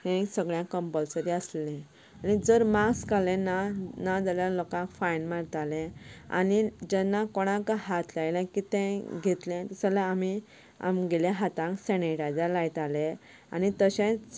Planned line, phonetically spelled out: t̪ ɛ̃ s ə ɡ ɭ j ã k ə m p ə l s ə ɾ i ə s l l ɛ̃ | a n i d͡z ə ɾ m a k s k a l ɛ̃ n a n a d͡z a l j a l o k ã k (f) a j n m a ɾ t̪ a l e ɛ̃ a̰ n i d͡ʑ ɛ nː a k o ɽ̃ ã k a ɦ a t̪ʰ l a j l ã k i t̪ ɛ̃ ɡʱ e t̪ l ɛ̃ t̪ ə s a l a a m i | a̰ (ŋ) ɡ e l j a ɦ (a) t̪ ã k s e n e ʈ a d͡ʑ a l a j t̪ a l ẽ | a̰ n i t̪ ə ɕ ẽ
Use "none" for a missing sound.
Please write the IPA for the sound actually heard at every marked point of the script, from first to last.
f, m, a

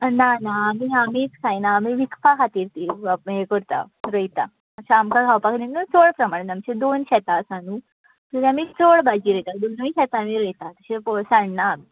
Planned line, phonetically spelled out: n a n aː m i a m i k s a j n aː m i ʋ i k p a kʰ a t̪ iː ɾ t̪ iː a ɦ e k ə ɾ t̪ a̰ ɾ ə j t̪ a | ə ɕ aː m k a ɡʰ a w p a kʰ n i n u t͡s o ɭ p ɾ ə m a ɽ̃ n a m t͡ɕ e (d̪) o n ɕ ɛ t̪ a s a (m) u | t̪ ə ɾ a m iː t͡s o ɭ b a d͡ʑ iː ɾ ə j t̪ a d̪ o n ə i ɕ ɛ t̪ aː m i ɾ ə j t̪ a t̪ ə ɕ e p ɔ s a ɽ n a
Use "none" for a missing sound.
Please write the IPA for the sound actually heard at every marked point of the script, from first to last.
d̪, n

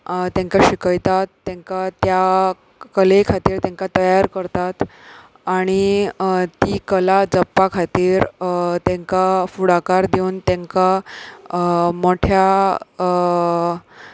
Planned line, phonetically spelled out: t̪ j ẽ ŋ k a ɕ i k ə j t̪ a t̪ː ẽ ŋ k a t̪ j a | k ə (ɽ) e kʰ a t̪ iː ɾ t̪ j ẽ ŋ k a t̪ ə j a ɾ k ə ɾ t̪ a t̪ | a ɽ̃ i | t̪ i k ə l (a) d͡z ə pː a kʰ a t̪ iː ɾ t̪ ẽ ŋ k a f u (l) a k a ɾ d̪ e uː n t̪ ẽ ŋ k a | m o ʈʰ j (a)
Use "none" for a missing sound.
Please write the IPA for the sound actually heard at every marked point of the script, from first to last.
l, a, ɽ, a

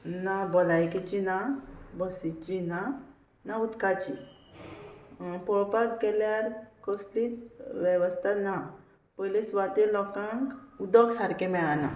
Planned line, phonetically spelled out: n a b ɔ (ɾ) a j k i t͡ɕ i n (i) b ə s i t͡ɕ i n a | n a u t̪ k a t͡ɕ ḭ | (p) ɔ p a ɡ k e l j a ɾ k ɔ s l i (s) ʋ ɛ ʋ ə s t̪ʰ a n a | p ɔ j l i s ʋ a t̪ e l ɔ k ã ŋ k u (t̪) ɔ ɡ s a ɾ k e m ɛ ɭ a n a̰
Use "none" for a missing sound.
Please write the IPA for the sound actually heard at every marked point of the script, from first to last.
l, a, p, t͡s, d̪

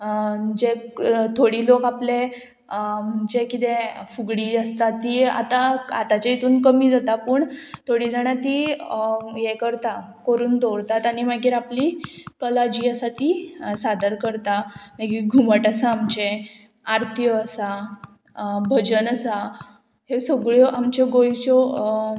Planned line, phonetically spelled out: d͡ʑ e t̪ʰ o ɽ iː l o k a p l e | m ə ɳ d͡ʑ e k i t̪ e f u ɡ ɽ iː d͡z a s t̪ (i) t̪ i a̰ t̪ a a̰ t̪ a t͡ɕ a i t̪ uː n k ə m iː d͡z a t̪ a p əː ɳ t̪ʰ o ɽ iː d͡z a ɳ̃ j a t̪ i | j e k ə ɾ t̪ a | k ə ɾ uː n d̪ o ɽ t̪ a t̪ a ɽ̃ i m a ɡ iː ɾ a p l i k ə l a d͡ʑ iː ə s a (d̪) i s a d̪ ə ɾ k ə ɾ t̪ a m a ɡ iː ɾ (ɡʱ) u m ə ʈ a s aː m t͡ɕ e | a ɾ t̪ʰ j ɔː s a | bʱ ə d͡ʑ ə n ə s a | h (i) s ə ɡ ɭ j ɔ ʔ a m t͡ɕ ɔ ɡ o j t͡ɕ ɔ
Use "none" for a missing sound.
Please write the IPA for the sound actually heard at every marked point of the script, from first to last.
a, t̪, ɡʱ, e

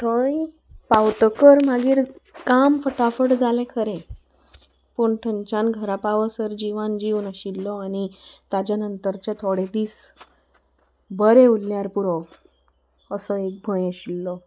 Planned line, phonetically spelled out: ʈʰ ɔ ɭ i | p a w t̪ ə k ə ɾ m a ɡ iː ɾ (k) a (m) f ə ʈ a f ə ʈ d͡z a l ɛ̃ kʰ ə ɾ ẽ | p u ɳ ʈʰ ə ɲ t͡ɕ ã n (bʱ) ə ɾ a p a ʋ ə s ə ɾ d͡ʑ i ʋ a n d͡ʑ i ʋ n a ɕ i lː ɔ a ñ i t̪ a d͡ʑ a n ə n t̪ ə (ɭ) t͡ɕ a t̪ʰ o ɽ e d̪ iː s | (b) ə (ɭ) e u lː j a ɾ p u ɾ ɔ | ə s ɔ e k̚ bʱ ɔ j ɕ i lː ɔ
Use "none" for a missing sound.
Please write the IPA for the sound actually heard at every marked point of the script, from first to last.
k, m, ɡʱ, ɾ, b, ɾ

